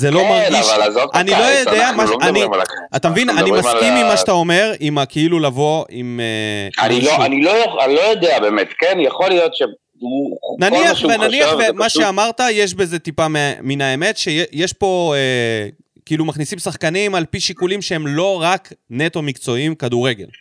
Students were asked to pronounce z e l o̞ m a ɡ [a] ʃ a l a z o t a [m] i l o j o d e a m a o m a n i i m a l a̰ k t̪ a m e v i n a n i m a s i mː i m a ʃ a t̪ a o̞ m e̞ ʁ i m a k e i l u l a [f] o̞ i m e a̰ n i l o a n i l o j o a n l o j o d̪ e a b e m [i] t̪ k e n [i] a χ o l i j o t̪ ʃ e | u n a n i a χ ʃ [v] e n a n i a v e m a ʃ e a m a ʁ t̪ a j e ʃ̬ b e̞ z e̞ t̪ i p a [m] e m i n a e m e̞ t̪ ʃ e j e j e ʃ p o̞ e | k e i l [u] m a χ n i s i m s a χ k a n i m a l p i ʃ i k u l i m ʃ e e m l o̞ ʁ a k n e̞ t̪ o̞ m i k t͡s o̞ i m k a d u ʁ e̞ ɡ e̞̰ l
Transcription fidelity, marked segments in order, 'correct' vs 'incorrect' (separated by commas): incorrect, incorrect, incorrect, incorrect, incorrect, correct, correct, correct